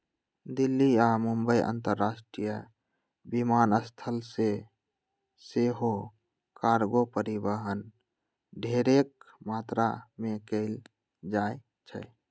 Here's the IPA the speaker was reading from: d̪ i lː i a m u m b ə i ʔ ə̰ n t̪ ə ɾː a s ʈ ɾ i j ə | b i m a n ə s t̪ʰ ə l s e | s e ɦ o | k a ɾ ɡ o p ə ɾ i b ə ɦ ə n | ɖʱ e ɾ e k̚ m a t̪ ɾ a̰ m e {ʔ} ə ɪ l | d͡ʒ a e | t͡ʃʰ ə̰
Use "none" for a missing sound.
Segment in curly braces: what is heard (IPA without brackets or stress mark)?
k